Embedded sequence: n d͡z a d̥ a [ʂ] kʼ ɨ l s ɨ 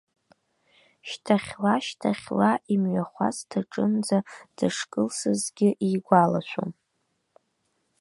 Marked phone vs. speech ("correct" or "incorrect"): correct